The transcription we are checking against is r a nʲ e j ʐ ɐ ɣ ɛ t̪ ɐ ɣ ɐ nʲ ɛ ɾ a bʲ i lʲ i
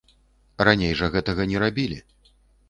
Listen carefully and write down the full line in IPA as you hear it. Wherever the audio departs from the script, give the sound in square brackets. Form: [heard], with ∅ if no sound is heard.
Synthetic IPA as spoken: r a nʲ e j ʐ ɐ ɣ ɛ t̪ ɐ ɣ ɐ nʲ ɛ ɾ a bʲ i lʲ i